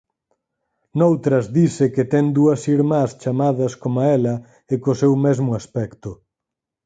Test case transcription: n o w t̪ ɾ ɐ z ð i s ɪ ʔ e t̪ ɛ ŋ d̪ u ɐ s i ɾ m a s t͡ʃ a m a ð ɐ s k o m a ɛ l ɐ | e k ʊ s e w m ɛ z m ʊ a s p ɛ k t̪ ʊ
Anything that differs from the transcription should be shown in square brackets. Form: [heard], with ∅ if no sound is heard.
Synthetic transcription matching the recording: n o w t̪ ɾ ɐ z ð i s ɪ [k] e t̪ ɛ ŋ d̪ u ɐ s i ɾ m a s t͡ʃ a m a ð ɐ s k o m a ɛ l ɐ | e k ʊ s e w m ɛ z m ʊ a s p ɛ k t̪ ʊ